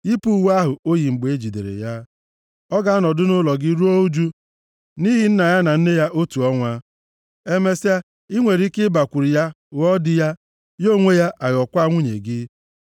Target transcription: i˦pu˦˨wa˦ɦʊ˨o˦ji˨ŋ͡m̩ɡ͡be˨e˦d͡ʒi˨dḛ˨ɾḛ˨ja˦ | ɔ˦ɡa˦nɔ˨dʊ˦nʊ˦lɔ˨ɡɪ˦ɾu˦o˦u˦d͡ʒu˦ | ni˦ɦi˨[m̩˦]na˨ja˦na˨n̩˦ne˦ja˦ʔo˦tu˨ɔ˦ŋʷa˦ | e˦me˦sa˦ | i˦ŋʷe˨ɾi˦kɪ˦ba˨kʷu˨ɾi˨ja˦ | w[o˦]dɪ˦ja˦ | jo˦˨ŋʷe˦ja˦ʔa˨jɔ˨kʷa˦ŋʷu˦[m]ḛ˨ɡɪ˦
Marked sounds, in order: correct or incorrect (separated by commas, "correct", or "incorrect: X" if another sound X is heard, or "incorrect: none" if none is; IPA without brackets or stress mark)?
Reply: incorrect: n̩˦, incorrect: ɔ˦, incorrect: ɲ